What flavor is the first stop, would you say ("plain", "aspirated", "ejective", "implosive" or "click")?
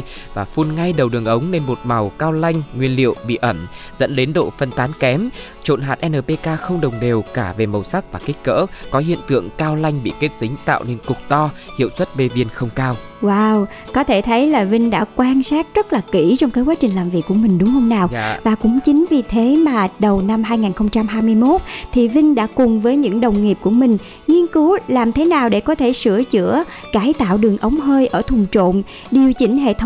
implosive